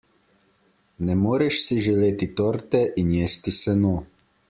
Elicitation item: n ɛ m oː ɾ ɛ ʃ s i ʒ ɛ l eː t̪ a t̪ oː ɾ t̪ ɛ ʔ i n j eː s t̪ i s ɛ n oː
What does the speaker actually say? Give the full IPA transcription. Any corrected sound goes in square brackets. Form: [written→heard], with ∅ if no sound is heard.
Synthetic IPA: n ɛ m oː ɾ ɛ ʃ s i ʒ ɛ l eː t̪ [a→i] t̪ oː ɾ t̪ ɛ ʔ i n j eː s t̪ i s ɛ n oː

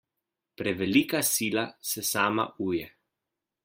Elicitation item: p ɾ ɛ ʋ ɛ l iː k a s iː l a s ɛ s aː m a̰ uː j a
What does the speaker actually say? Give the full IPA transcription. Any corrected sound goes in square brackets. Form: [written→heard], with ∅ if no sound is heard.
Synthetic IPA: p ɾ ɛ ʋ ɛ l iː k a s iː l a s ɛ s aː m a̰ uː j [a→ɛ]

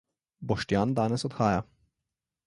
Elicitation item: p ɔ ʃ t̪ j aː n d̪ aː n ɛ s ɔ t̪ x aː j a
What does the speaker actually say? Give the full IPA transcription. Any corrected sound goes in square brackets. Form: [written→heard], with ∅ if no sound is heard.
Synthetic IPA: [p→b] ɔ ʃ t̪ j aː n d̪ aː n ɛ s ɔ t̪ x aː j a

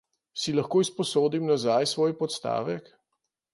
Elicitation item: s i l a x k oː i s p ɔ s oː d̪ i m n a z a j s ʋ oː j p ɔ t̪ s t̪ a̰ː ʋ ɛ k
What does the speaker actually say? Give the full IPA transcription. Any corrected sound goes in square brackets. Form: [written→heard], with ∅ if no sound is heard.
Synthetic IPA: s i l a x k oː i s p ɔ s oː d̪ i m n a z a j s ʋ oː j p ɔ t̪ s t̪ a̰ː ʋ ɛ k

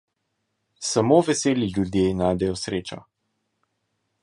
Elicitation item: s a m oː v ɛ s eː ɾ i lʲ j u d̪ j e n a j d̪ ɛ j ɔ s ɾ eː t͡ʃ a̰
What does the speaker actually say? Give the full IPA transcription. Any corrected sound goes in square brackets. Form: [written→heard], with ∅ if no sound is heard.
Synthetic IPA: s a m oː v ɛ s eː [ɾ→l] i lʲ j u d̪ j e n a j d̪ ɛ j ɔ s ɾ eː t͡ʃ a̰

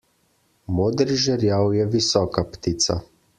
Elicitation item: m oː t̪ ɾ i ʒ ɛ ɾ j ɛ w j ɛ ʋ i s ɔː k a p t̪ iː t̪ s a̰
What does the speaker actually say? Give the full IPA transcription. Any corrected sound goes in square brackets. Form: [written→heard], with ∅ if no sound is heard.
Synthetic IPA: m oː [t̪→d̪] ɾ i ʒ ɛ ɾ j [ɛ→a] w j ɛ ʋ i s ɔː k a p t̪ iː t̪ s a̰

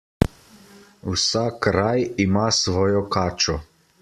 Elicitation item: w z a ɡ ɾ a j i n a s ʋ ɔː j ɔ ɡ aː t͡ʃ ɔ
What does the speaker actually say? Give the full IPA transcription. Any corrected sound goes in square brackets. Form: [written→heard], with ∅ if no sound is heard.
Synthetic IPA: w [z→s] a [ɡ→k] ɾ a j i [n→m] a s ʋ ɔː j ɔ [ɡ→k] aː t͡ʃ ɔ

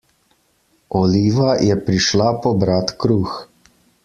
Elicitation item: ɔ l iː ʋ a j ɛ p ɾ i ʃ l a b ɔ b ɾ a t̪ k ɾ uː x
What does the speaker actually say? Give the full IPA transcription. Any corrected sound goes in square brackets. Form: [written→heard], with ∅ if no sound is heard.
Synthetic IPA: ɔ l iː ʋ a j ɛ p ɾ i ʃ l a [b→p] ɔ b ɾ a t̪ k ɾ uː x

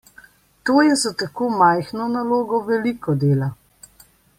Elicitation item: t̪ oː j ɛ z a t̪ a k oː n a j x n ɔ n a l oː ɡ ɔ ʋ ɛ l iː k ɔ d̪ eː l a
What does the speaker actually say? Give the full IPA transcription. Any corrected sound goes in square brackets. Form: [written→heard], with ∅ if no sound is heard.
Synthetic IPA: t̪ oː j ɛ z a t̪ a k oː [n→m] a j x n ɔ n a l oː ɡ ɔ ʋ ɛ l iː k ɔ d̪ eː l a

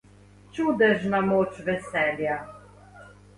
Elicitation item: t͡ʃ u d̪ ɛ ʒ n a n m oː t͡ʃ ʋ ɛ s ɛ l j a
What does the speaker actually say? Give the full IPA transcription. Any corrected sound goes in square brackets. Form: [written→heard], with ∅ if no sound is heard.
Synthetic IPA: t͡ʃ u d̪ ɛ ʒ n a [n→∅] m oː t͡ʃ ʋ ɛ s ɛ l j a

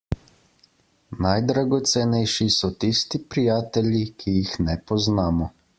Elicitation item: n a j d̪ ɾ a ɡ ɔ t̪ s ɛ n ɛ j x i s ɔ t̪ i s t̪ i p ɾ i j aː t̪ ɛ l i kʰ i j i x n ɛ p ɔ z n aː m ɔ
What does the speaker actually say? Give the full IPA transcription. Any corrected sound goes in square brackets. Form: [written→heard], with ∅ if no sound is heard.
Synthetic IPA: n a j d̪ ɾ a ɡ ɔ t̪ s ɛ n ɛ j [x→ʃ] i s ɔ t̪ i s t̪ i p ɾ i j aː t̪ ɛ l i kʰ i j i x n ɛ p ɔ z n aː m ɔ

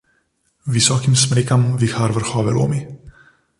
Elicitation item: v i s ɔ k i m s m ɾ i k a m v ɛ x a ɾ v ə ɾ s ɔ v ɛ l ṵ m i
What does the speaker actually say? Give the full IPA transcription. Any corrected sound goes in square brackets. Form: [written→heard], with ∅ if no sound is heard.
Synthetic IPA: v i s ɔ k i m s m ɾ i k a m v [ɛ→i] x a ɾ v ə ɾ [s→x] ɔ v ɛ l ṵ m i

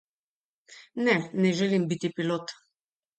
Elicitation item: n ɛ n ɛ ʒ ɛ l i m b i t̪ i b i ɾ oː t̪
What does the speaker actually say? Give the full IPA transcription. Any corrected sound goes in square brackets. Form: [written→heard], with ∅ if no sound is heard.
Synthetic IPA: n ɛ n ɛ ʒ ɛ l i m b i t̪ i [b→p] i [ɾ→l] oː t̪

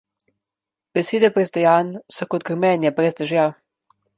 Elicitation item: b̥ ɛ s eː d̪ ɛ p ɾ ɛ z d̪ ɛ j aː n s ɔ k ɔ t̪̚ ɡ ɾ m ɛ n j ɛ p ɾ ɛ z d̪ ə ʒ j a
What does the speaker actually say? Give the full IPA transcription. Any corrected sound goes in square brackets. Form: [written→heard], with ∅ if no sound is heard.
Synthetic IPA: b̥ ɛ s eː d̪ ɛ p ɾ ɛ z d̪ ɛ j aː n s ɔ k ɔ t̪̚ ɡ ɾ m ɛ n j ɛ p ɾ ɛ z d̪ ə ʒ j a

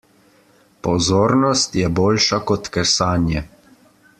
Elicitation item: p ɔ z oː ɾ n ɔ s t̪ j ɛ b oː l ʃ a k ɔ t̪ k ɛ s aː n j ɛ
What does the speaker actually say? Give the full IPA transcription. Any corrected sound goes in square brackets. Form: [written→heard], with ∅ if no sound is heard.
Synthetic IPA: p ɔ z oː ɾ n ɔ s t̪ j ɛ b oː l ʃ a k ɔ t̪ k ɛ s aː n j ɛ

